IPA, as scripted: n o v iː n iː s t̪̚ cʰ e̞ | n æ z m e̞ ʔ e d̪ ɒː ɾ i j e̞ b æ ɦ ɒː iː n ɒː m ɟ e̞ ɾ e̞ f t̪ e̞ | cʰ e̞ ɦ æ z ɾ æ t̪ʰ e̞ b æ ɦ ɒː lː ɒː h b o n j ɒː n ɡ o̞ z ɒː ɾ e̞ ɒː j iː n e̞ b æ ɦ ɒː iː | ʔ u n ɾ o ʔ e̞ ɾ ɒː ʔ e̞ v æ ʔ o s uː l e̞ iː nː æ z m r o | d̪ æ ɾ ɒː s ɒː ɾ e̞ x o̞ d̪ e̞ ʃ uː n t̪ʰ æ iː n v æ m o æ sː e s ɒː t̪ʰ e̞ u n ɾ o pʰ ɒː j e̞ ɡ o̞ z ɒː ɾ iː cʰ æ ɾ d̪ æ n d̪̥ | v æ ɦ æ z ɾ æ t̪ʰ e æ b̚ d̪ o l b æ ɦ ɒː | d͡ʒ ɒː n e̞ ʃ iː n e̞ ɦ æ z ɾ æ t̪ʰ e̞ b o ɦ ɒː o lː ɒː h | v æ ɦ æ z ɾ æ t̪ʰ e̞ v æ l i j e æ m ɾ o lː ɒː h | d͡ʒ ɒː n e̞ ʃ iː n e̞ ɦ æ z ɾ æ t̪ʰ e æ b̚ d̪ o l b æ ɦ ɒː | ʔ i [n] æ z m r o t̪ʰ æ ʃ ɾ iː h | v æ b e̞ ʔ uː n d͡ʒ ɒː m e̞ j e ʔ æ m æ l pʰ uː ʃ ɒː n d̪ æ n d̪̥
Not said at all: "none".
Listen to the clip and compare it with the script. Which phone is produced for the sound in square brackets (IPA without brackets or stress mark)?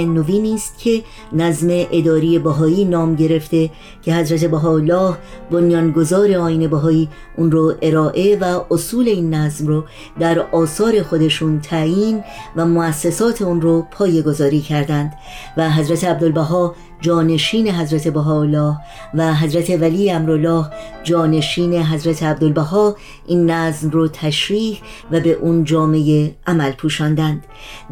nː